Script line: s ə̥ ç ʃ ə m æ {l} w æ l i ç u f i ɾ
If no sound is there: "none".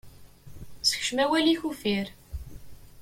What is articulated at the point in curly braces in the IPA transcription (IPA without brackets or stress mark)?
none